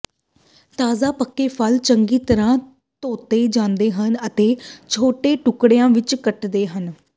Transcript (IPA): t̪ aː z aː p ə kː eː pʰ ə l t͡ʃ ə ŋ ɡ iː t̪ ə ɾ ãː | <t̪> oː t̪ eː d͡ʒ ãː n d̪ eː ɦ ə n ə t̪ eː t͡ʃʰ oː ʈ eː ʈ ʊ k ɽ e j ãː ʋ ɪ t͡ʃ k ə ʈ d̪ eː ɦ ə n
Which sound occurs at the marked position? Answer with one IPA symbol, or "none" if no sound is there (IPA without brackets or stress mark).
t̪